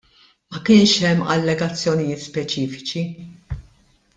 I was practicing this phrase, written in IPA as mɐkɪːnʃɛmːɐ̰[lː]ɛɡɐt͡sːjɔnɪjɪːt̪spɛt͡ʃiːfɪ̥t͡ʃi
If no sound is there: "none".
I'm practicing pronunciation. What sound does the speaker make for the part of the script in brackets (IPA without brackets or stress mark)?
lː